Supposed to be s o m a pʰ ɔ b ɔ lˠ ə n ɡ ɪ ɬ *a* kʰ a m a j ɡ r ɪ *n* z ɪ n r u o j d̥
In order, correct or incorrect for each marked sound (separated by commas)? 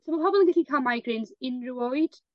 incorrect, correct